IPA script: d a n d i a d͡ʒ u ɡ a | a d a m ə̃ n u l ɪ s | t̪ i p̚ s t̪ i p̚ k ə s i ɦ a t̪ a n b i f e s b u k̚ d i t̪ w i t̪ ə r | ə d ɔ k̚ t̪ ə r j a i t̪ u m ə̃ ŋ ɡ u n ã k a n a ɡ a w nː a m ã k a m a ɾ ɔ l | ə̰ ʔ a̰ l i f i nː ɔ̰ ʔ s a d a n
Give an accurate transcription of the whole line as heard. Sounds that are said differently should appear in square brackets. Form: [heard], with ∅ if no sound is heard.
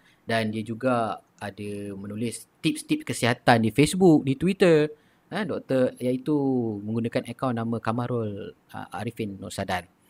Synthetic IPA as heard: d a n d i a d͡ʒ u ɡ a | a d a m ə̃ n u l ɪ s | t̪ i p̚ s t̪ i p̚ k ə s i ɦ a t̪ a n [d] i f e s b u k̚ d i t̪ w i t̪ ə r | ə d ɔ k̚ t̪ ə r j a i t̪ u m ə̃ ŋ ɡ u n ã k a n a [k] a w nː a m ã k a m a ɾ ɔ l | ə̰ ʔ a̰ [ɾ] i f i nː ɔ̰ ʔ s a d a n